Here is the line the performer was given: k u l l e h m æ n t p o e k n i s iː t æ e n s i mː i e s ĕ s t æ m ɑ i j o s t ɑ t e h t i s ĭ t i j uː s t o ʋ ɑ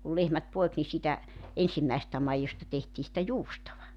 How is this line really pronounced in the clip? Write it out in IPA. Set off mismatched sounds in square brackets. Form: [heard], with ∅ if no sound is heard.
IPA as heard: k u l l e h m æ [∅] t p o e k n i s iː t æ e n s i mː [æ] e s ĕ s t æ m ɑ i j o s t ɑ t e h t [iː] s ĭ t [æ] j uː s t o ʋ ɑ